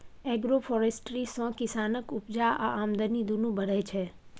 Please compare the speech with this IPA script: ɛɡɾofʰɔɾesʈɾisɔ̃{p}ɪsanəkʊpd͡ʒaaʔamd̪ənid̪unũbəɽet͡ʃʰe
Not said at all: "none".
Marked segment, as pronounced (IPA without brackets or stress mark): k